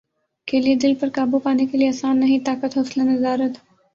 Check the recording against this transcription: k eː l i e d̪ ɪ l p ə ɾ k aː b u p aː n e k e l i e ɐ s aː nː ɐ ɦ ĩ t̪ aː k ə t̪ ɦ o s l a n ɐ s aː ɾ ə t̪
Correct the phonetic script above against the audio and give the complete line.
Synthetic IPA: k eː l i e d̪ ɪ l p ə ɾ k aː b u p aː n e k e l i e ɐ s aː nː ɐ ɦ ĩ t̪ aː k ə t̪ ɦ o s l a n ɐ z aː ɾ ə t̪

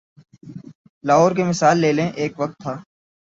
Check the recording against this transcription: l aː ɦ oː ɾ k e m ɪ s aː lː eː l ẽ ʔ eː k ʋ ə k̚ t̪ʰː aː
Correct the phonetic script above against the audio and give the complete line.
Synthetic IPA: l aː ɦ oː ɾ k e m ɪ s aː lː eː l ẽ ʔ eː k ʋ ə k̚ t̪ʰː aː

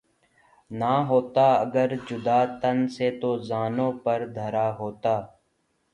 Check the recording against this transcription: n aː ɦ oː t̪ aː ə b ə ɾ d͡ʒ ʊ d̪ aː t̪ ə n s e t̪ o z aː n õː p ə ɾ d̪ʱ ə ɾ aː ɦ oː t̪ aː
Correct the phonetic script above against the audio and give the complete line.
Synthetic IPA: n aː ɦ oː t̪ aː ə ɡ ə ɾ d͡ʒ ʊ d̪ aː t̪ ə n s e t̪ o z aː n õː p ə ɾ d̪ʱ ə ɾ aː ɦ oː t̪ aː

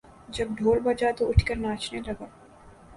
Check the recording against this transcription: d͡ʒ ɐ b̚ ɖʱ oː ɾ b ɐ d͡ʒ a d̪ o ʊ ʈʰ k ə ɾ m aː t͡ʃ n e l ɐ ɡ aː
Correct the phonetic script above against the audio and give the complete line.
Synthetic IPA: d͡ʒ ɐ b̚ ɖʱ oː l b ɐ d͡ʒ a t̪ o ʊ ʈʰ k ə ɾ n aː t͡ʃ n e l ɐ ɡ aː

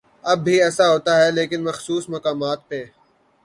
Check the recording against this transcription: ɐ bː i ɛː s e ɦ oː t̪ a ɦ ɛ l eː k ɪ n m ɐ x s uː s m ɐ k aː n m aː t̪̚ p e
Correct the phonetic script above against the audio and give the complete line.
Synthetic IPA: ɐ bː i ɛː s a ɦ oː t̪ a ɦ ɛ l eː k ɪ n m ɐ x s uː s m ɐ k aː m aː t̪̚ p e

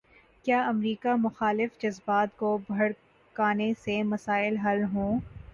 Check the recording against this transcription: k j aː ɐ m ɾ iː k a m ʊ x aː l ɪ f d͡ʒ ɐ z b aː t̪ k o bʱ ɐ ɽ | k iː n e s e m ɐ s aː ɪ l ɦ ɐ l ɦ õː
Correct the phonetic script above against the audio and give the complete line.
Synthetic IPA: k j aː ɐ m ɾ iː k a m ʊ x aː l ɪ f d͡ʒ ɐ z b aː t̪ k o bʱ ɐ ɽ | k aː n e s e m ɐ s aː ɪ l ɦ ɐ l ɦ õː

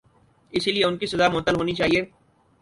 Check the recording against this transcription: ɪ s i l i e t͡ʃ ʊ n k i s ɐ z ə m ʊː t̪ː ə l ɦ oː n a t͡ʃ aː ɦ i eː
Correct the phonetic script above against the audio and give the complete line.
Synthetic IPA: ɪ s i l i e ʊ n k i s ɐ z a m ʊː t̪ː ə l ɦ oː n i t͡ʃ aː ɦ i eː

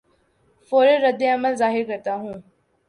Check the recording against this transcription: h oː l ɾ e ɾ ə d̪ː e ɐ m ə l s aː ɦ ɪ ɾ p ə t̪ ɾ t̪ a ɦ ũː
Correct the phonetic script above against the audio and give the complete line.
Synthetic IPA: f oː ɾ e ɾ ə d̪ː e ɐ m ə l z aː ɦ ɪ ɾ k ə ɾ t̪ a ɦ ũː

